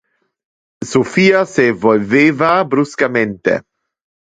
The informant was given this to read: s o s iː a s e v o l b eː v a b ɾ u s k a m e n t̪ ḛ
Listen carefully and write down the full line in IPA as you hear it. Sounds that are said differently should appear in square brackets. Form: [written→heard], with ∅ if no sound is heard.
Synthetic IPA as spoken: s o [s→f] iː a s e v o l [b→v] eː v a b ɾ u s k a m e n t̪ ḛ